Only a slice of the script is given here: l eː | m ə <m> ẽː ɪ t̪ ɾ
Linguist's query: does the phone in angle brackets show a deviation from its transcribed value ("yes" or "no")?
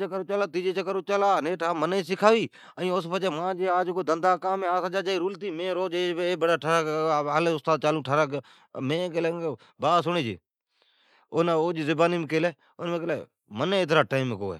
yes